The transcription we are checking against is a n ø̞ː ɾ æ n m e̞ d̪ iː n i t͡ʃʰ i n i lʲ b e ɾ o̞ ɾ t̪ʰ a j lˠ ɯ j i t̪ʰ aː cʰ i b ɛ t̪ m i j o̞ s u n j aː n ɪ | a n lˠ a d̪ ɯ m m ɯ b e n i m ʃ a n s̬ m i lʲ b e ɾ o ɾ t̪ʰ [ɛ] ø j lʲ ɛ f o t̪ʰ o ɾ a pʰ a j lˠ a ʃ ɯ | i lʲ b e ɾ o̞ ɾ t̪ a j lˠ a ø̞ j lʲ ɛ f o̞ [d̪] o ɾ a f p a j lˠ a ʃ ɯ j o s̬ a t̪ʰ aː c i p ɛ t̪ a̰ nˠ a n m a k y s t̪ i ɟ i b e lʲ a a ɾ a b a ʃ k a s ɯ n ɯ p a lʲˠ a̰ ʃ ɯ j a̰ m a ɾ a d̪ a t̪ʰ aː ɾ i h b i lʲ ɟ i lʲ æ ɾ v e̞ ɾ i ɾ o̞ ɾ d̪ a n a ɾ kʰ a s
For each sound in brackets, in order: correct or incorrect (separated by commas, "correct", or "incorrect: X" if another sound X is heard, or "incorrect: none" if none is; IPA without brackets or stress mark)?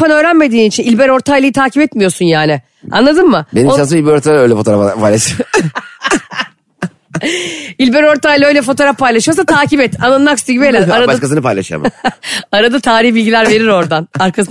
incorrect: a, incorrect: t̪